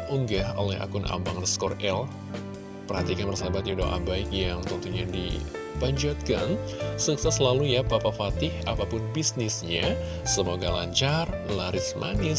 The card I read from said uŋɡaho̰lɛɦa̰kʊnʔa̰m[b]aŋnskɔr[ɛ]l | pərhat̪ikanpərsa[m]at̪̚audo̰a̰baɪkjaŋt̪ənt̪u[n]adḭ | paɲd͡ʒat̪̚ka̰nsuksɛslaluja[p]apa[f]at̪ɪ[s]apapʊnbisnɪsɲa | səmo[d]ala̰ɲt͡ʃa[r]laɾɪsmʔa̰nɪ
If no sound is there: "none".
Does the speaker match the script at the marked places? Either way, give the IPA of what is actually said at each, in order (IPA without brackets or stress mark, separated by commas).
b, ɛ, b, ɲ, p, f, h, ɡ, r